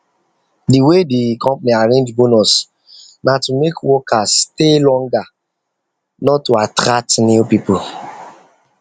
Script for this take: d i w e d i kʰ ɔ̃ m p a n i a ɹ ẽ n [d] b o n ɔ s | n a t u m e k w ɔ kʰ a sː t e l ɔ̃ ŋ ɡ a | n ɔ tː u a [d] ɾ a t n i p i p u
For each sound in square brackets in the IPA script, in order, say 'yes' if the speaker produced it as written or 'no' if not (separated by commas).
no, no